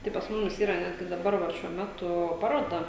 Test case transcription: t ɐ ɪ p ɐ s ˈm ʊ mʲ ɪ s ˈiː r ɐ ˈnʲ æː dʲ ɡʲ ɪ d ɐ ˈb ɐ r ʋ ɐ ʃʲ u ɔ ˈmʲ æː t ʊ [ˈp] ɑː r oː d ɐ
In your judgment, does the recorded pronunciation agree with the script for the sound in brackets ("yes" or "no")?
yes